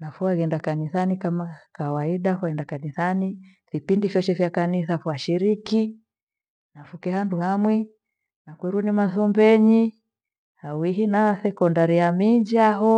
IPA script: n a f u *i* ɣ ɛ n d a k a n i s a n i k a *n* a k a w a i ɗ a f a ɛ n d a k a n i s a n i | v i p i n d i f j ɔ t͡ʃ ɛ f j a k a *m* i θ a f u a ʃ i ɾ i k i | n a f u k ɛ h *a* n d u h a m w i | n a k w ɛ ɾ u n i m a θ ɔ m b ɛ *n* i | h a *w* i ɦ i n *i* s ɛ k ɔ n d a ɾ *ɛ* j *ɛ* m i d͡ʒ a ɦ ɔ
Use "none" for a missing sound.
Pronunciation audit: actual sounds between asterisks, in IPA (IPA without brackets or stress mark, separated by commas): a, m, n, a, ɲ, w, a, i, a